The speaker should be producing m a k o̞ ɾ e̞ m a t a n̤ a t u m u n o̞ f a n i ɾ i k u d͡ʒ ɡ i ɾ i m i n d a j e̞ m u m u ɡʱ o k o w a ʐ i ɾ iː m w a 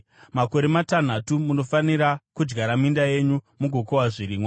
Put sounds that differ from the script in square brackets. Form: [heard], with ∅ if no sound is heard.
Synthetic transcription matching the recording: m a k o̞ ɾ e̞ m a t a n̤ a t u m u n o̞ f a n i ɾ [a] k u d͡ʒ ɡ [a] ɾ [a] m i n d a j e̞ [ɲ] u m u ɡʱ o k o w a ʐ i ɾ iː m w a